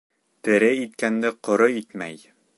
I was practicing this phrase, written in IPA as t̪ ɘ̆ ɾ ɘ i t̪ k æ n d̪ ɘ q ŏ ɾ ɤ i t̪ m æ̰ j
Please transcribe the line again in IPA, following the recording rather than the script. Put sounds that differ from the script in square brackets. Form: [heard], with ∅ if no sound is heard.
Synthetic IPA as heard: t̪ ɘ̆ ɾ ɘ i t̪ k æ n d̪ ɘ q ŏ ɾ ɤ i t̪ m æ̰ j